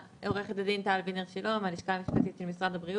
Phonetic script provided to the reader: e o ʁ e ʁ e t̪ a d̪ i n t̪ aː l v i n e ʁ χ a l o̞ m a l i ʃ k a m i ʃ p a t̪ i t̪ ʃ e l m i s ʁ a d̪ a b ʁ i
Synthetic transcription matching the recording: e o ʁ e χ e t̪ a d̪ i n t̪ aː l v i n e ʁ ʃ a l o̞ m a l i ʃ k a m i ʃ p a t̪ i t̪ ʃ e l m i s ʁ a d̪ a b ʁ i